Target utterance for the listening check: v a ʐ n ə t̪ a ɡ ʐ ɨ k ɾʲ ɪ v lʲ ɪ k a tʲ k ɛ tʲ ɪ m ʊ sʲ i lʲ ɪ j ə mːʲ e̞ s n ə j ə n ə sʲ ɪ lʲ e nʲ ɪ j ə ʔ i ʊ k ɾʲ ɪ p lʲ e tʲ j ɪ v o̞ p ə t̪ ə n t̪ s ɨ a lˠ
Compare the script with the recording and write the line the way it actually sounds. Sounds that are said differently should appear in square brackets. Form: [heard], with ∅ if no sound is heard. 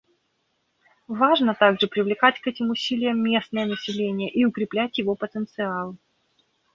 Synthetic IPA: v a ʐ n ə t̪ a ɡ ʐ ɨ [p] ɾʲ ɪ v lʲ ɪ k a tʲ k ɛ tʲ ɪ m ʊ sʲ i lʲ ɪ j ə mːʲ e̞ s n ə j ə n ə sʲ ɪ lʲ e nʲ ɪ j ə ʔ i ʊ k ɾʲ ɪ p lʲ [æ] tʲ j ɪ v o̞ p ə t̪ ə n t̪ s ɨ a lˠ